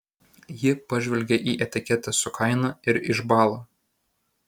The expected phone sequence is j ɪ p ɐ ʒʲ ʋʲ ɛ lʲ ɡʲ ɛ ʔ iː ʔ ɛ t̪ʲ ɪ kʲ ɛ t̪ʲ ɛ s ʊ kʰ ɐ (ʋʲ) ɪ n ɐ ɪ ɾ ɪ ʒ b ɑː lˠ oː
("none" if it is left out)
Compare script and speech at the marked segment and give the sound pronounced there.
none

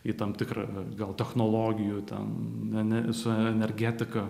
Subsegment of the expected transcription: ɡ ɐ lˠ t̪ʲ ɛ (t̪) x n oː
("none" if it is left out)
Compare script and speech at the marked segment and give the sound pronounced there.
none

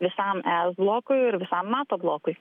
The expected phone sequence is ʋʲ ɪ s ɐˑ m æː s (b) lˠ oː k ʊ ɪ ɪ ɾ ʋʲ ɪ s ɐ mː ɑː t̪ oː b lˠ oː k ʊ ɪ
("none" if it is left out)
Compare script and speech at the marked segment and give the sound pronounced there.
b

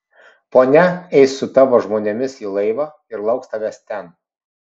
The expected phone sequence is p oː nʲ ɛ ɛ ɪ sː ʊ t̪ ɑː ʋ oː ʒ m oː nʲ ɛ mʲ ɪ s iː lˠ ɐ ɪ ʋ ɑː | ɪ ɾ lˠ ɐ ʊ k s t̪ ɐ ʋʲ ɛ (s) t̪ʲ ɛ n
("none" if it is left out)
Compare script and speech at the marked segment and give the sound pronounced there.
s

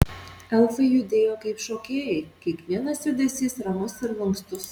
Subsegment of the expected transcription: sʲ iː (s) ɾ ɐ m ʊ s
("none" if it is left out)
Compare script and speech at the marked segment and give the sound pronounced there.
s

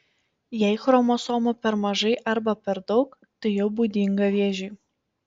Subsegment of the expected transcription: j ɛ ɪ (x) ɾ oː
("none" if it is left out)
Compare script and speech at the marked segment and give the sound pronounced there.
x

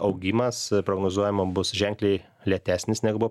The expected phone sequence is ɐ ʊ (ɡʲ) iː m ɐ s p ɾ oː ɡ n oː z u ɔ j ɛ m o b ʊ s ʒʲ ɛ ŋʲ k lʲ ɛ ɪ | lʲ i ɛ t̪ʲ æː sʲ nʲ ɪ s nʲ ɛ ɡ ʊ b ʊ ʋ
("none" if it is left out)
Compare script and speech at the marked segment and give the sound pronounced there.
ɡʲ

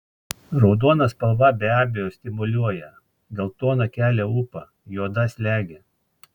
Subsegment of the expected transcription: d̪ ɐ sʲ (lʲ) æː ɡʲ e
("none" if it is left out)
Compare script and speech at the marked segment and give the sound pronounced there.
lʲ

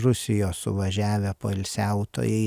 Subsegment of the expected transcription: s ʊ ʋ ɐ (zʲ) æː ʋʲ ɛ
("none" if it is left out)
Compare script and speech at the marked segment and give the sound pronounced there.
ʒʲ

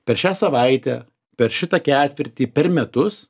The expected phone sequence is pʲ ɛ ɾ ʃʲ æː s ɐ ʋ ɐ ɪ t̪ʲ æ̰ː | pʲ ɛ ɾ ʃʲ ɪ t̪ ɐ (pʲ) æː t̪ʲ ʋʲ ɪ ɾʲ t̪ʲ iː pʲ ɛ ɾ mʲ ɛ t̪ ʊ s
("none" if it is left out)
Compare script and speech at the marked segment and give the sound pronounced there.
kʲ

